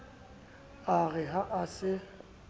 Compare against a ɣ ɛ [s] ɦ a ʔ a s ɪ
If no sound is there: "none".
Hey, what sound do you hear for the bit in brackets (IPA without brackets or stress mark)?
none